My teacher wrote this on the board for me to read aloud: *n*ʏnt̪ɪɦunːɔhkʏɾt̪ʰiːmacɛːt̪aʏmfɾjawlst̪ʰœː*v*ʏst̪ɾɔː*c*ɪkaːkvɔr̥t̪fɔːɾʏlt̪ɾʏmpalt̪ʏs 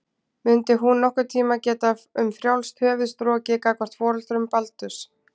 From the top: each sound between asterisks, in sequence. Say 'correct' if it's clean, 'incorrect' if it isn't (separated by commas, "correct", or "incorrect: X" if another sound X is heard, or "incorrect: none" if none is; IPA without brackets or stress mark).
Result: incorrect: m, correct, correct